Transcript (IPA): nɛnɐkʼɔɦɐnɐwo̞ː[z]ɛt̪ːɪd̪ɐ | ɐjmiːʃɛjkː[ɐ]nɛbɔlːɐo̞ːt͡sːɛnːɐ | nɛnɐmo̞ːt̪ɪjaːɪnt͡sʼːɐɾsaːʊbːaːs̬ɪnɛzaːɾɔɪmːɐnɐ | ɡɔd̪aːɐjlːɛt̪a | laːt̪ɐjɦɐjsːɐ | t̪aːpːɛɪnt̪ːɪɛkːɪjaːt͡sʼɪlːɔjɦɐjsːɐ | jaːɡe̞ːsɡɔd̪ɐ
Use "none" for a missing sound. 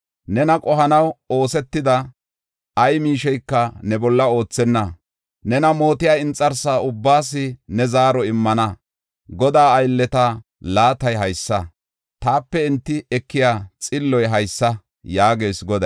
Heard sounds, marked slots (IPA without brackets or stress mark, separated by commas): s, ɐ